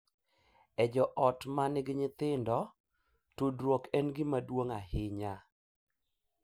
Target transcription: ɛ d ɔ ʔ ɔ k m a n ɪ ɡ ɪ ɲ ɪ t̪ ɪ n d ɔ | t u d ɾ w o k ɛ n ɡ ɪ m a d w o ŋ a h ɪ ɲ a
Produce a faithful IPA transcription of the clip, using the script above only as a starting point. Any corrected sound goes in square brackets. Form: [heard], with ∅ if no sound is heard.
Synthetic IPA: ɛ [d͡ʒ] ɔ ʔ ɔ [t] m a n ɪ ɡ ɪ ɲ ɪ t̪ ɪ n d ɔ | t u d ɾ w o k ɛ n ɡ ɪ m a d w o ŋ a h ɪ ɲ a